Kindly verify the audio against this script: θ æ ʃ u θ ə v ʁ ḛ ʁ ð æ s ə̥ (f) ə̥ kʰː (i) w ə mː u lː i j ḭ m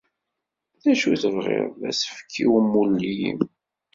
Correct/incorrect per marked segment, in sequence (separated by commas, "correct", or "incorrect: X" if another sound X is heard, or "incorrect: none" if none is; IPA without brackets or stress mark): correct, correct